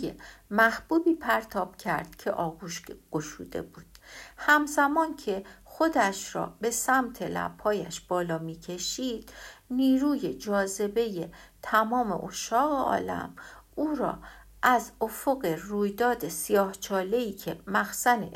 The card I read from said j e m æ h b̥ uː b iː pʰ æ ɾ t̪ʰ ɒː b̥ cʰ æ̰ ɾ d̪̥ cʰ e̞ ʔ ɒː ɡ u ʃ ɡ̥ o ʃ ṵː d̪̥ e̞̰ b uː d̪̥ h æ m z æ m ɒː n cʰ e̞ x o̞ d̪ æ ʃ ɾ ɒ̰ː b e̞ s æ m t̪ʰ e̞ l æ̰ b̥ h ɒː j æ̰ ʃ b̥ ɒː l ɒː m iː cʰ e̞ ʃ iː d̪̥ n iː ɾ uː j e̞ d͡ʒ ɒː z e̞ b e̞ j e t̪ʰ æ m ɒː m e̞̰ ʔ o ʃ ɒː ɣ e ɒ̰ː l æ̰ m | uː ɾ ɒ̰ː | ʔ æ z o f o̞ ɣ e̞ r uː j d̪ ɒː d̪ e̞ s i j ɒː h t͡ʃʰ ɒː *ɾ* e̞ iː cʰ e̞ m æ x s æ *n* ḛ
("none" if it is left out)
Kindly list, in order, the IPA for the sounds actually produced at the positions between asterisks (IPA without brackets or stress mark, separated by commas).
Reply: l, n